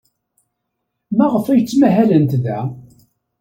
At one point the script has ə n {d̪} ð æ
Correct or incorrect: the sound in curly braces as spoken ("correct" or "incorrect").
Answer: incorrect